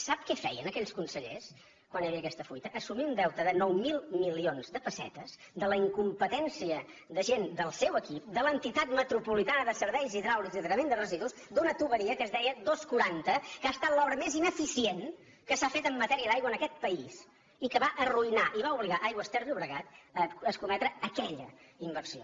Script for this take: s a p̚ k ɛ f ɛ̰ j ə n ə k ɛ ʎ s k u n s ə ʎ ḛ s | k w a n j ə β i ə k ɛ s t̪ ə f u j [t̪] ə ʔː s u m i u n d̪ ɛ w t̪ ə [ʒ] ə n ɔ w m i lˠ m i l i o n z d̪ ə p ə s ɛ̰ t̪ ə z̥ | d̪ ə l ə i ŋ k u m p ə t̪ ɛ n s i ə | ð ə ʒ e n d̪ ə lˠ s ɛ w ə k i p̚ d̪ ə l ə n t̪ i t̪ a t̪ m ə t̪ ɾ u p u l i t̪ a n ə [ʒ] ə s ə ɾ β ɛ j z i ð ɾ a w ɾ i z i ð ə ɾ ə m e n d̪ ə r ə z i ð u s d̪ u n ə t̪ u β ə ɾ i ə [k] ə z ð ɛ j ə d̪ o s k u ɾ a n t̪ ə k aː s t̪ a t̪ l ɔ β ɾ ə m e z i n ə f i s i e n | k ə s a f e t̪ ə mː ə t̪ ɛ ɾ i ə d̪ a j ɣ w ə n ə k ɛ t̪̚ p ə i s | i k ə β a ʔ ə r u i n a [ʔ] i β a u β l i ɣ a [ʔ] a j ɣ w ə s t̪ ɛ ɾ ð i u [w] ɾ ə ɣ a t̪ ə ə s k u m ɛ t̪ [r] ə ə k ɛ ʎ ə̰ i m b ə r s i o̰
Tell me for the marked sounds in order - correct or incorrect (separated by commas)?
correct, incorrect, incorrect, correct, correct, correct, incorrect, incorrect